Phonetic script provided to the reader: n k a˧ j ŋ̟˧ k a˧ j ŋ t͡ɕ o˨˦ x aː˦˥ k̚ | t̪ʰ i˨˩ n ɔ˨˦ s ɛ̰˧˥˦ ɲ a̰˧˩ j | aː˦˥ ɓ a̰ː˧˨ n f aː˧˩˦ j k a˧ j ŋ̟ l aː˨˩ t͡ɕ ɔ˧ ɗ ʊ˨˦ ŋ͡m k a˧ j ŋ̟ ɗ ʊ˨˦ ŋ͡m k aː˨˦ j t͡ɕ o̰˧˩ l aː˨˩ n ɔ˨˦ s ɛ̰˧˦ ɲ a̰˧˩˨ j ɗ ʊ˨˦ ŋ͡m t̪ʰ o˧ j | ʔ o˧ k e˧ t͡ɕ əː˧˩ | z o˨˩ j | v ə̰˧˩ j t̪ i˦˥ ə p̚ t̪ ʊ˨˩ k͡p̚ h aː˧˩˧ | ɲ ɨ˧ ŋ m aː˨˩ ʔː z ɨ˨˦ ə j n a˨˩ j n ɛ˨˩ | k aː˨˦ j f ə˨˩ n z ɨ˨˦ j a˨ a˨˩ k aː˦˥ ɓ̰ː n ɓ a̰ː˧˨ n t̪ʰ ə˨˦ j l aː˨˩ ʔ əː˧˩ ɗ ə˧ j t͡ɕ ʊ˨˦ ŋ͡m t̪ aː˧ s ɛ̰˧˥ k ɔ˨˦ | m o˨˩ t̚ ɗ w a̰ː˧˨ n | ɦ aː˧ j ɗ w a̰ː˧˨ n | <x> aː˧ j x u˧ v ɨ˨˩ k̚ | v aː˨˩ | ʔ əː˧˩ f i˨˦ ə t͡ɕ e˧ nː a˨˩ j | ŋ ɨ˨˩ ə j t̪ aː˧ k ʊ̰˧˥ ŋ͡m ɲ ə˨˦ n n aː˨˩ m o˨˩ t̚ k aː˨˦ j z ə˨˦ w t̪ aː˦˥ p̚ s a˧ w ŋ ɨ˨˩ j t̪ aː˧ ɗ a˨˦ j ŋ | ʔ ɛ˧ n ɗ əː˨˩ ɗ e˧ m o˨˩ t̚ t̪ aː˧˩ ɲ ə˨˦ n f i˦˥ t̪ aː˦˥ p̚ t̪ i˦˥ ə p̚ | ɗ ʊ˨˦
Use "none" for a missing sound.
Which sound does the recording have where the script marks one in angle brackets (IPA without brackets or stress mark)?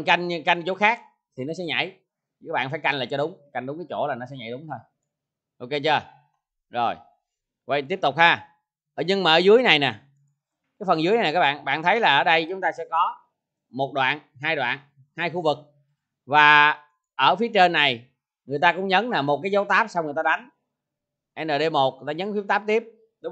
h